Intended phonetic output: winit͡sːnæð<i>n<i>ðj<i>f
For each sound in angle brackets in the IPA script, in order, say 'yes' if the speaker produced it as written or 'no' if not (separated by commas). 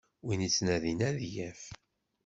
yes, no, no